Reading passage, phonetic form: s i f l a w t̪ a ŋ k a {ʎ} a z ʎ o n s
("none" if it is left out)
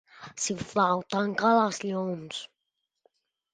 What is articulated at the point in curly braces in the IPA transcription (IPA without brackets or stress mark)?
l